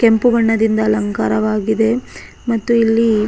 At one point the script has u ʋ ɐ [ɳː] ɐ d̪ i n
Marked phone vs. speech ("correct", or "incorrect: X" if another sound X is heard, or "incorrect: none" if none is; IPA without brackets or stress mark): correct